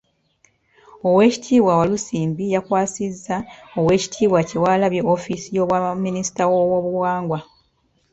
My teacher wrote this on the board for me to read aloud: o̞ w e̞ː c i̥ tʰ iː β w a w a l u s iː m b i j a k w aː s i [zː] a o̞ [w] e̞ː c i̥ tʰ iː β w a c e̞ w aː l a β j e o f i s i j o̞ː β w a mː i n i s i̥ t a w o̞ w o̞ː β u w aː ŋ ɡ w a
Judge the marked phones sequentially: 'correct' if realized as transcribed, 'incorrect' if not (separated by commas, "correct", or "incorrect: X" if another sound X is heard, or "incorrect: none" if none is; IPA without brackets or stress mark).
correct, correct